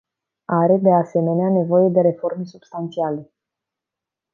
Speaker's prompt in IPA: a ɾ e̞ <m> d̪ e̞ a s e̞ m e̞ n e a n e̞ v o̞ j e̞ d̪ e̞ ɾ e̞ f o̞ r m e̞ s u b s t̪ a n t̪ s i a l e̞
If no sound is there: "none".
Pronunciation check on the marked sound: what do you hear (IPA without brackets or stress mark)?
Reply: none